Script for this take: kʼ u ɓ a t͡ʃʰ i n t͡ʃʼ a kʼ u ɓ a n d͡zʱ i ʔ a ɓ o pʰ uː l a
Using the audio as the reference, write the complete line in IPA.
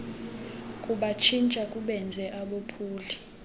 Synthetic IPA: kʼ u ɓ a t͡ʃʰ i n t͡ʃʼ a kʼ u ɓ ɛ n d͡zʱ ɛ ʔ a ɓ o pʰ uː l i